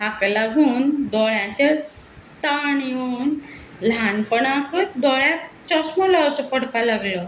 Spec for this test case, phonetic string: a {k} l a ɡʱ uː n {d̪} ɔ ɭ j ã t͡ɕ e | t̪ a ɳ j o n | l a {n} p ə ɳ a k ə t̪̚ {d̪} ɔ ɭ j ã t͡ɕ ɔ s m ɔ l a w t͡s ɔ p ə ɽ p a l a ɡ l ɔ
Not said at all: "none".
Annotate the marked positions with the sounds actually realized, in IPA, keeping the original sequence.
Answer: k, d̪, n, d̪

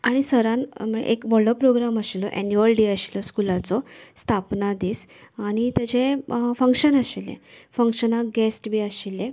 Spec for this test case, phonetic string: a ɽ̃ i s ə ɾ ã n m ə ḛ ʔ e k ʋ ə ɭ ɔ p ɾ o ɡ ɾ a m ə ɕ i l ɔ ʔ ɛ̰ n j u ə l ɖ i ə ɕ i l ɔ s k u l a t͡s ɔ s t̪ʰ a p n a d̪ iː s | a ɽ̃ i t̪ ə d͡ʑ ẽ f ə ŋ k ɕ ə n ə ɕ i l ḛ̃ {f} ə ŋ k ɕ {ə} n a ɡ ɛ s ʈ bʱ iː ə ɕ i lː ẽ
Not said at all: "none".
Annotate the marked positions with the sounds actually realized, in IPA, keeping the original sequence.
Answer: f, ə

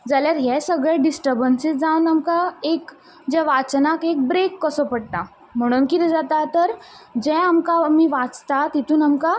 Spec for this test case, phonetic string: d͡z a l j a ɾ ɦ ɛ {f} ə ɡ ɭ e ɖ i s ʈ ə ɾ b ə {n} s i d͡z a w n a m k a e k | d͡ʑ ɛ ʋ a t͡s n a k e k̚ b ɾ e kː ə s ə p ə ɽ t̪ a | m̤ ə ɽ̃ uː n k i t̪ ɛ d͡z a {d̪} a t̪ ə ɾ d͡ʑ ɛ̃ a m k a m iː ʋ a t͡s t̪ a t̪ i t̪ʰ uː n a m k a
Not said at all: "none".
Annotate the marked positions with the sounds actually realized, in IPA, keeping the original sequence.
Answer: s, n, t̪

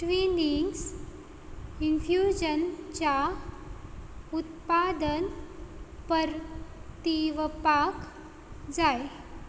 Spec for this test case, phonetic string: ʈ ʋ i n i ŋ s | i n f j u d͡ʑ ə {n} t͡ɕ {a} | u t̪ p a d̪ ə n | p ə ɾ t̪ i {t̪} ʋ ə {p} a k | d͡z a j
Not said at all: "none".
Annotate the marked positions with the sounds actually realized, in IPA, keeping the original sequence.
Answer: n, a, none, p

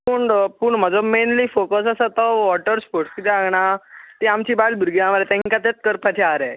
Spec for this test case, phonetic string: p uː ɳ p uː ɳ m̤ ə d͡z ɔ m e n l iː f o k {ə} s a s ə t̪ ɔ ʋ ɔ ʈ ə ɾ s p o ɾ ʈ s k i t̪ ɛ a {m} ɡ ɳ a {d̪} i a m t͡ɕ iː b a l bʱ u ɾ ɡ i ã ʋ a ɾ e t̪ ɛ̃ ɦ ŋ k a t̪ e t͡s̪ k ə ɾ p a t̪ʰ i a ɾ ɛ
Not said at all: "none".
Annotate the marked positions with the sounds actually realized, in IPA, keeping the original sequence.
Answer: ə, none, t̪

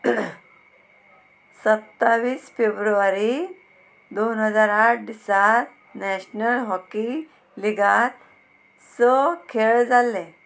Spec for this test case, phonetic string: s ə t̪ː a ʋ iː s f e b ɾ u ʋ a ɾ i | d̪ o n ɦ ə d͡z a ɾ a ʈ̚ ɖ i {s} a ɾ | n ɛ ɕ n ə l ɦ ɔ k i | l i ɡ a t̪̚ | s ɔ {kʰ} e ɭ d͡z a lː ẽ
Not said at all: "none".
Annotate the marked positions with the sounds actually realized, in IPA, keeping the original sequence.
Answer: s, kʰ

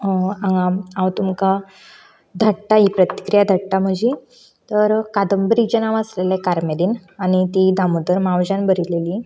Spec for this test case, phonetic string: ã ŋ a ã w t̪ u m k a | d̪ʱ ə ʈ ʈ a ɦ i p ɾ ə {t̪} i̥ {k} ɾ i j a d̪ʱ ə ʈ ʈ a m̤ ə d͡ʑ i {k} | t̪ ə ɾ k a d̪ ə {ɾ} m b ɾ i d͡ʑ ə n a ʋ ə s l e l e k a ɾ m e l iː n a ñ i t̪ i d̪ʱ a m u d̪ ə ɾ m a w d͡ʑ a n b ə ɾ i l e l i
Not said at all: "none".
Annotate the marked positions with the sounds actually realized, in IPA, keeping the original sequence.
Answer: t̪, k, none, none

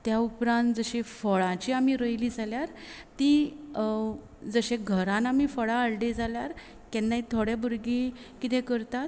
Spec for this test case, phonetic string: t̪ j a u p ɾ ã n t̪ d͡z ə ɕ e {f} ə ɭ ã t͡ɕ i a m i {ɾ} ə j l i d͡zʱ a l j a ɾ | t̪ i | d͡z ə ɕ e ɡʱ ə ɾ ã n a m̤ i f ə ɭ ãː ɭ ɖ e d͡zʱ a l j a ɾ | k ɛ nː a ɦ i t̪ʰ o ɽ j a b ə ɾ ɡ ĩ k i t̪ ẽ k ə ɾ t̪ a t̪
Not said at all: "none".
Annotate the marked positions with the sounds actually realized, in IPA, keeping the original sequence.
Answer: f, ɾ

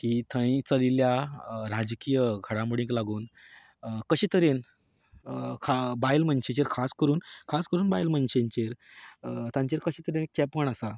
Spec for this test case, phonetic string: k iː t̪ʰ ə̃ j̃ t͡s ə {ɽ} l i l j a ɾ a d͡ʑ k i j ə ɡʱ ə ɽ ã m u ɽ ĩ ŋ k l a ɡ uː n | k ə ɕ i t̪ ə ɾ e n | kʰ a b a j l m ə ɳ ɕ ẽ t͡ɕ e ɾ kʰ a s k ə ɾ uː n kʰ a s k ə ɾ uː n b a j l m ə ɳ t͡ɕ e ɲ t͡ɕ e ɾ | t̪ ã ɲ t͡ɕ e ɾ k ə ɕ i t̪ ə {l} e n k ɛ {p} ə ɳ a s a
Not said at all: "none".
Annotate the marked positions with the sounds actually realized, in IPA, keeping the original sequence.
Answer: none, ɾ, p

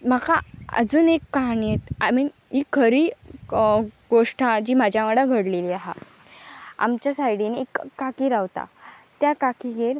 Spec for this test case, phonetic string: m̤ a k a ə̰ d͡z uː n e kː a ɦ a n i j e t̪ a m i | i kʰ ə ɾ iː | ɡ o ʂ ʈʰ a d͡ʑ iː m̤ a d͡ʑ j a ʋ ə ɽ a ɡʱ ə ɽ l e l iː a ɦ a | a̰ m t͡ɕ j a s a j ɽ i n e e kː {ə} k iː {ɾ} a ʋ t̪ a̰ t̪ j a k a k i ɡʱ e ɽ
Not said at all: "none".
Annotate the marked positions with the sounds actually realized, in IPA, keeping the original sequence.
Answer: a, ɾ

